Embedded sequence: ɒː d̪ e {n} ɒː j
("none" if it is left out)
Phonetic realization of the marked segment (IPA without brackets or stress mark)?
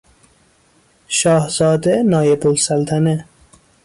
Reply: n